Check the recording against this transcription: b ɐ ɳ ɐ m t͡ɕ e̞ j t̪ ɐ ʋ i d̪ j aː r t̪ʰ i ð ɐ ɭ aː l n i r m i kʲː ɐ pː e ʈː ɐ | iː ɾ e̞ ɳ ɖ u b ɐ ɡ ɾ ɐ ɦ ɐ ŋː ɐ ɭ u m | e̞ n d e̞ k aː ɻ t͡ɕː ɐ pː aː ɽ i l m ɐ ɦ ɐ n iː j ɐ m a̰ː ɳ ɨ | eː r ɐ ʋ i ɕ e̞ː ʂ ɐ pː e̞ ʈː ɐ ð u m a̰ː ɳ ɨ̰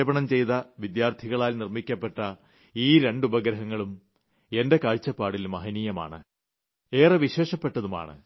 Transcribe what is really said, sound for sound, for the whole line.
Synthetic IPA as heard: b ɐ ɳ ɐ m t͡ɕ e̞ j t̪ ɐ ʋ i d̪ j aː r t̪ʰ i ɣ ɐ ɭ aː l n i r m i kʲː ɐ pː e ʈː ɐ | iː ɾ e̞ ɳ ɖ u b ɐ ɡ ɾ ɐ ɦ ɐ ŋː ɐ ɭ u m | e̞ n d e̞ k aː ɻ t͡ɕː ɐ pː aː ɽ i l m ɐ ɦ ɐ n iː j ɐ m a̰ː ɳ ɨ | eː r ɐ ʋ i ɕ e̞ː ʂ ɐ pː e̞ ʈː ɐ ð u m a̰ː ɳ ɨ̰